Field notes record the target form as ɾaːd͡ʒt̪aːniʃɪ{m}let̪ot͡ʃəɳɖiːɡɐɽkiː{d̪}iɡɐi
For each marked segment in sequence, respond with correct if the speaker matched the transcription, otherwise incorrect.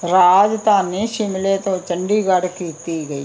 correct, incorrect: t̪

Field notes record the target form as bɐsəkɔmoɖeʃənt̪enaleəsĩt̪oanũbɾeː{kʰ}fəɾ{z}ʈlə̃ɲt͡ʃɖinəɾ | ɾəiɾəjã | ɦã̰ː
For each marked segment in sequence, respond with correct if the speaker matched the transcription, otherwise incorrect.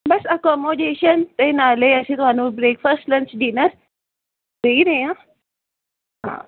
incorrect: k, incorrect: s

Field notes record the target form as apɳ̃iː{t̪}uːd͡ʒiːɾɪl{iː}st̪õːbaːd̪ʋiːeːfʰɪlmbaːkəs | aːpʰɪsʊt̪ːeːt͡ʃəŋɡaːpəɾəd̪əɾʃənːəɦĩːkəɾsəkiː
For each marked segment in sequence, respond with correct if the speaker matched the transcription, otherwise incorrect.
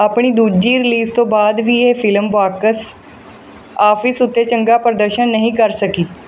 incorrect: d̪, correct

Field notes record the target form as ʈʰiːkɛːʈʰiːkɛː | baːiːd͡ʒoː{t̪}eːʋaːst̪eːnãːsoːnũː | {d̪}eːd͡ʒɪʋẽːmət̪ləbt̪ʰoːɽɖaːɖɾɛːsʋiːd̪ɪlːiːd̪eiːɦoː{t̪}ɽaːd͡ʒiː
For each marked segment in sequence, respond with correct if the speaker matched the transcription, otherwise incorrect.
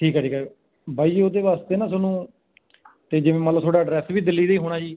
incorrect: d̪, incorrect: t̪, incorrect: none

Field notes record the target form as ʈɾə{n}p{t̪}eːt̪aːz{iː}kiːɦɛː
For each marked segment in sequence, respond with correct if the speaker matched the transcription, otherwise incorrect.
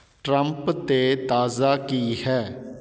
incorrect: m, correct, incorrect: aː

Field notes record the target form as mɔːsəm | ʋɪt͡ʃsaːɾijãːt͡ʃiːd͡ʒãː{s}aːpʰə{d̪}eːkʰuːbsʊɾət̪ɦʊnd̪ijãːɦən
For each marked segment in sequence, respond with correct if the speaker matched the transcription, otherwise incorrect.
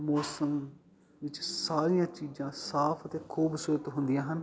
correct, incorrect: t̪

